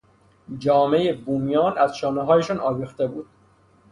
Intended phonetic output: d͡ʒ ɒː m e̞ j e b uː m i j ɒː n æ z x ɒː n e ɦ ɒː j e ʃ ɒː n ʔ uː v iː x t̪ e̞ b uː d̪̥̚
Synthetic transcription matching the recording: d͡ʒ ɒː m e̞ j e b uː m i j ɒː n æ z ʃ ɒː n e ɦ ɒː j e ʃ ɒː n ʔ ɒː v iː x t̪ e̞ b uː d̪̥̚